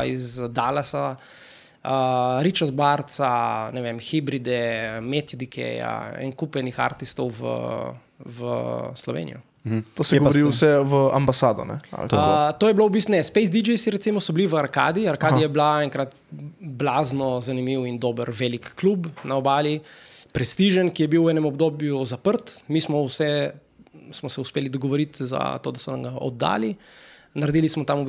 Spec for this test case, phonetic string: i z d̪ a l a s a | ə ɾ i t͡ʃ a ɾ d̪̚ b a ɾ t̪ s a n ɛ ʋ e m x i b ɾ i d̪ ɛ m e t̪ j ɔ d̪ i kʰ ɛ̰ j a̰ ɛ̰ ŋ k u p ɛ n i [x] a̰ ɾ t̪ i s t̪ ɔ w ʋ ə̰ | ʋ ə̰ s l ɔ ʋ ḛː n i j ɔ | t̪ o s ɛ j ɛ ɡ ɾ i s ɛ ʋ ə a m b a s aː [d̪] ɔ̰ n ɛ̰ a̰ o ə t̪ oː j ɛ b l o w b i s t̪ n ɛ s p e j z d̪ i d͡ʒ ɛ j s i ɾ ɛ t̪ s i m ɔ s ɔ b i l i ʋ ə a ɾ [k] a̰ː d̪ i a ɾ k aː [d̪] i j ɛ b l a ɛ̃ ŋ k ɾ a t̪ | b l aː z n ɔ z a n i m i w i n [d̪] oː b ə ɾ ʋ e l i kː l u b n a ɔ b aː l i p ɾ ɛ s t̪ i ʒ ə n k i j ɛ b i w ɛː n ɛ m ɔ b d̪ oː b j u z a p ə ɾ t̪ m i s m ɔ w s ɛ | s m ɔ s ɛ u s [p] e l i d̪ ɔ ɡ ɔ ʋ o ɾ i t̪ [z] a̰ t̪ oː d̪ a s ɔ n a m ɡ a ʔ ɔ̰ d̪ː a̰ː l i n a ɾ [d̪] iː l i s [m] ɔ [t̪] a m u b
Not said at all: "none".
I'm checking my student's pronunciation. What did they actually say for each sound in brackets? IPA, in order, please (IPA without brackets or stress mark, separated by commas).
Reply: x, d̪, k, d̪, d̪, p, z, d̪, m, t̪